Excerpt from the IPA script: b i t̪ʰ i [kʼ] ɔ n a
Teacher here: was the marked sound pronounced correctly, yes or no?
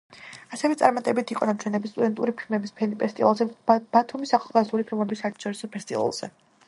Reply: no